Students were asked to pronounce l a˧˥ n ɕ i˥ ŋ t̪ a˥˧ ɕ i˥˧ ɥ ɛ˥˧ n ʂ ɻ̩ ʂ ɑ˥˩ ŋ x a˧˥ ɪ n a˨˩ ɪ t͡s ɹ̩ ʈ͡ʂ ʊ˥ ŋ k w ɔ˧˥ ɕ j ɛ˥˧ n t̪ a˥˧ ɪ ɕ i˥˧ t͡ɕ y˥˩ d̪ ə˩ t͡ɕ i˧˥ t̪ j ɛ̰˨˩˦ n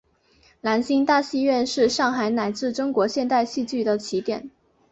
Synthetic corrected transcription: l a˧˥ n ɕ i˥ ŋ t̪ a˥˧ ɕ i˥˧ ɥ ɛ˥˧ n ʂ ɻ̩ ʂ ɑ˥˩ ŋ x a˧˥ ɪ n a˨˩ ɪ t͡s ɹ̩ ʈ͡ʂ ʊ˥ ŋ k w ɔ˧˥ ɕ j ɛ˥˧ n t̪ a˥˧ ɪ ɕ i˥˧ t͡ɕ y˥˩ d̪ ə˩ t͡ɕʰ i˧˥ t̪ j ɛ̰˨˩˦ n

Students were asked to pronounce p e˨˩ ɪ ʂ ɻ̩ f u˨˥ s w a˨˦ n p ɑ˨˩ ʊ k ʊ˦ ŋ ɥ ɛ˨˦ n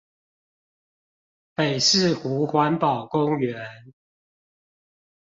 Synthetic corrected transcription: p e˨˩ ɪ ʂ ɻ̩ x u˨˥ x w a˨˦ n p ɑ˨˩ ʊ k ʊ˦ ŋ ɥ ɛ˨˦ n

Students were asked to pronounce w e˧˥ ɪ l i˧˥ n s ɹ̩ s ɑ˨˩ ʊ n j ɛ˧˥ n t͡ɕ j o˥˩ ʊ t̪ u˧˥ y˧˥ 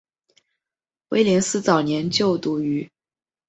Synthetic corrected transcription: w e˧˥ ɪ l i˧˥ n s ɹ̩ t͡s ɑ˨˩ ʊ n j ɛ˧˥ n t͡ɕ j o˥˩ ʊ t̪ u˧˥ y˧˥

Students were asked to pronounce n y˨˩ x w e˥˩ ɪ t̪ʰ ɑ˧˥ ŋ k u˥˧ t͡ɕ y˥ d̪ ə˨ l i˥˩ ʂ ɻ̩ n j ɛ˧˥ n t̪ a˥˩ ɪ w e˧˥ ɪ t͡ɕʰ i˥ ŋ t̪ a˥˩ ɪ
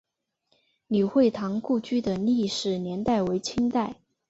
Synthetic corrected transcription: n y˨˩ x w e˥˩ ɪ t̪ʰ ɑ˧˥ ŋ k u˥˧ t͡ɕ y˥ d̪ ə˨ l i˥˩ ʂ ɻ̩ n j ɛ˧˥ n t̪ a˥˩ ɪ w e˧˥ ɪ t͡ɕʰ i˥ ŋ t̪ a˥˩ ɪ

